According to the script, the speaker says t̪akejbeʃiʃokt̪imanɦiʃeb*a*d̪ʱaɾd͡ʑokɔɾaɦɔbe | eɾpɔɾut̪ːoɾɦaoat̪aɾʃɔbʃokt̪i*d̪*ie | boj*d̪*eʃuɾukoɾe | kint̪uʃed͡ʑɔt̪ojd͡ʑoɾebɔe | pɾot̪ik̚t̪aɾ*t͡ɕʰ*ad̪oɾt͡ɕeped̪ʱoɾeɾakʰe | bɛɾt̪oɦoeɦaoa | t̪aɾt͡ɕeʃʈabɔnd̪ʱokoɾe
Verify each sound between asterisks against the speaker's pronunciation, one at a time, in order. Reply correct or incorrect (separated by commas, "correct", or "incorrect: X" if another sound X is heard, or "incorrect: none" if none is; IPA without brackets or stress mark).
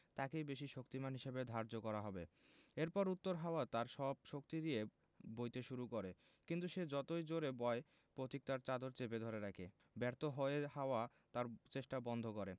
incorrect: e, correct, incorrect: t̪, incorrect: t͡ɕ